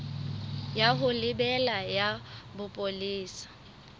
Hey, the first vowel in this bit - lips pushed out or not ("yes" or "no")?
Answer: no